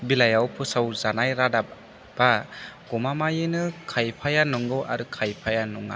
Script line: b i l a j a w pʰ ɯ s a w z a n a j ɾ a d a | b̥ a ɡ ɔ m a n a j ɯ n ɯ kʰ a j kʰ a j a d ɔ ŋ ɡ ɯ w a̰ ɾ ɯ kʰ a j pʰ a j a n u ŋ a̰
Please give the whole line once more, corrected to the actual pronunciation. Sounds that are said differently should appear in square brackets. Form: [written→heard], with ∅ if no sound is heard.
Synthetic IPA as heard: b i l a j a w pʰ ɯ s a w z a n a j ɾ a d a | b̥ a ɡ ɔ m a [n→m] a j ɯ n ɯ kʰ a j [kʰ→pʰ] a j a [d→n] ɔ ŋ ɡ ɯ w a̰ ɾ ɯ kʰ a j pʰ a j a n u ŋ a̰